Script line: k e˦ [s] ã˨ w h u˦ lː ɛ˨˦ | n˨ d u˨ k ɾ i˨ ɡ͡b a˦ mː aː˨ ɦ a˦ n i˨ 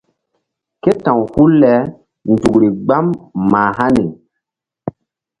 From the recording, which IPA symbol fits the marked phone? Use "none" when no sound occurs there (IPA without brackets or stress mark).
t